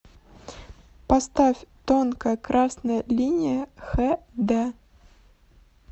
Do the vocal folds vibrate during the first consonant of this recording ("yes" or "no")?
no